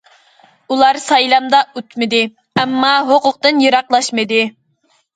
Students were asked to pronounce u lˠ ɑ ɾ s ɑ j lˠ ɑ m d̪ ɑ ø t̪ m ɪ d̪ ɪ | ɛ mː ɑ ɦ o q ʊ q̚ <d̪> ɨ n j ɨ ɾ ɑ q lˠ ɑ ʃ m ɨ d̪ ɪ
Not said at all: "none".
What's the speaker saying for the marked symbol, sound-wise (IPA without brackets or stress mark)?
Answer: t̪